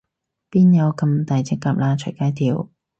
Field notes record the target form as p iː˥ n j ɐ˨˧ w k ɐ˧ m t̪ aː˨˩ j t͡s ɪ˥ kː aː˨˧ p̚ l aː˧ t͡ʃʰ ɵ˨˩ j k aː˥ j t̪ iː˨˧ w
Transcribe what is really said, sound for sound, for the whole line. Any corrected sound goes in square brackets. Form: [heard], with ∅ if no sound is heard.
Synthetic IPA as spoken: p iː˥ n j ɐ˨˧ w k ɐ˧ m t̪ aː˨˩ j t͡s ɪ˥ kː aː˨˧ p̚ l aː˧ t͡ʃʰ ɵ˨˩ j k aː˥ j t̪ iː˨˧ w